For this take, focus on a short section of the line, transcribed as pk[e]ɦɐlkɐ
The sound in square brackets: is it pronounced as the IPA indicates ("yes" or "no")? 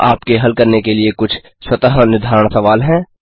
yes